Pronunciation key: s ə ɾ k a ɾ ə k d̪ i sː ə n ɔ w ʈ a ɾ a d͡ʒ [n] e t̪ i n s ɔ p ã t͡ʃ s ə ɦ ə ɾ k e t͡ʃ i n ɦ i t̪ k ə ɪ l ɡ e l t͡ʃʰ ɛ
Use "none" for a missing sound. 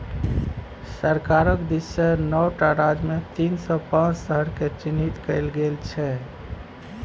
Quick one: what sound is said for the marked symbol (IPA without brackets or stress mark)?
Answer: m